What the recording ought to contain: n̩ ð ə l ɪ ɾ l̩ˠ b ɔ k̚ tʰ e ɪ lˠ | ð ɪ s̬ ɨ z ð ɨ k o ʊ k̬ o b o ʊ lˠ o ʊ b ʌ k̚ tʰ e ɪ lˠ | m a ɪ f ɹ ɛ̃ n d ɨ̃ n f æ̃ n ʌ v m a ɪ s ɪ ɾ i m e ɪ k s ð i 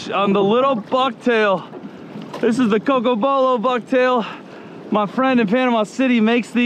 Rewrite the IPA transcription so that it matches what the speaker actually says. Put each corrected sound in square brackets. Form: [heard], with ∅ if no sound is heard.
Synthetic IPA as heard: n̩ ð ə l ɪ ɾ l̩ˠ b [ʌ] k̚ tʰ e ɪ lˠ | ð ɪ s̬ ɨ z ð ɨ k o ʊ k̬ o b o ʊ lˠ o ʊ b ʌ k̚ tʰ e ɪ lˠ | m a ɪ f ɹ ɛ̃ n d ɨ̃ n f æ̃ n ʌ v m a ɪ s ɪ ɾ i m e ɪ k s ð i